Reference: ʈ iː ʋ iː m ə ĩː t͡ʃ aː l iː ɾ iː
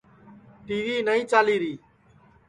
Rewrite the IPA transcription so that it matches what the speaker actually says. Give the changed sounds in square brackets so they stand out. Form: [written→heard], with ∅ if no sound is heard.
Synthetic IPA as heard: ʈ iː ʋ iː [m→n] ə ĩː t͡ʃ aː l iː ɾ iː